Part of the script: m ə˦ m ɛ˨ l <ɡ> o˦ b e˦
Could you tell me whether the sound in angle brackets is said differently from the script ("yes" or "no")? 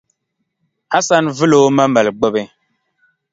yes